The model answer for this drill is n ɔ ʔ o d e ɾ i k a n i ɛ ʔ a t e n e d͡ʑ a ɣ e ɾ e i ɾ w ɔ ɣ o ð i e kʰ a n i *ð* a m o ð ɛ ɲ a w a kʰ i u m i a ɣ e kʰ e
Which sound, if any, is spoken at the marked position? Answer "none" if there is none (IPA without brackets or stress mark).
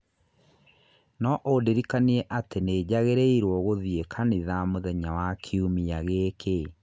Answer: ð